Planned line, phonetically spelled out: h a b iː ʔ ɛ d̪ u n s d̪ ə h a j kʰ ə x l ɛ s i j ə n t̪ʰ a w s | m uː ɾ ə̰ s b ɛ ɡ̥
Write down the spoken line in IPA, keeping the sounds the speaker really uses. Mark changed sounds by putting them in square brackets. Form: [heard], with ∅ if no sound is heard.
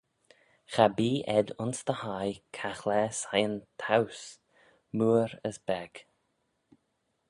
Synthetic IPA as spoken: [x] a b iː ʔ ɛ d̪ [ʊ] n s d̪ ə h a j kʰ [a] x l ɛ s [a] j ə n t̪ʰ a w s | m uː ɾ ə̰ s b ɛ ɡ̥